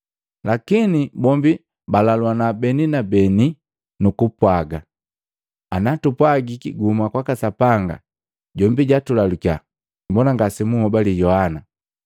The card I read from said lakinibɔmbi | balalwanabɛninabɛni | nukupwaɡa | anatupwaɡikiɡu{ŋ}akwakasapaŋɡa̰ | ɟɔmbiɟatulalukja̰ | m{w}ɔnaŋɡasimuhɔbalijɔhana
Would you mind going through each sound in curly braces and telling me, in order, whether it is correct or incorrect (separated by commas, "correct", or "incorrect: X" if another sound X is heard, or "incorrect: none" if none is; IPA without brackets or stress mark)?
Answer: incorrect: m, incorrect: b